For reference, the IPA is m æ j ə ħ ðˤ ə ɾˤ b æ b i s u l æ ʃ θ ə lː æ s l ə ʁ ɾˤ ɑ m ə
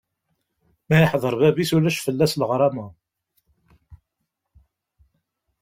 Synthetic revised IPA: m æ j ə ħ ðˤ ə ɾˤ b æ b i s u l æ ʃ f ə lː æ s l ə ʁ ɾˤ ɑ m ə